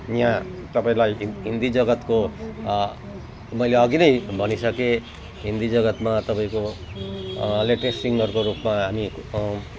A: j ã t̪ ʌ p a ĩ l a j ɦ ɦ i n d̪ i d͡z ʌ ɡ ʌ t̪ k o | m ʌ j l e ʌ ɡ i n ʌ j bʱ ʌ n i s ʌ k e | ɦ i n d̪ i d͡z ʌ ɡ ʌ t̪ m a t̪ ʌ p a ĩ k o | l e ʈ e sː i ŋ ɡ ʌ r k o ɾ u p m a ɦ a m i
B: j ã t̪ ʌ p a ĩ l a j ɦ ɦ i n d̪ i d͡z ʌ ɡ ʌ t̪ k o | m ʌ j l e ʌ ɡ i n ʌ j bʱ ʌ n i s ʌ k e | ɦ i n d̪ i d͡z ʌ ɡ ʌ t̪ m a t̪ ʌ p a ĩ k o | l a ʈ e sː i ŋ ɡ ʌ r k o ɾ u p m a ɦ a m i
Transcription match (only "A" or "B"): A